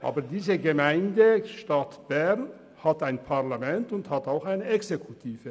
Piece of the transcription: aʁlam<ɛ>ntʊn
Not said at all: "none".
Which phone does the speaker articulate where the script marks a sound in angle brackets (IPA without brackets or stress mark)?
ɛ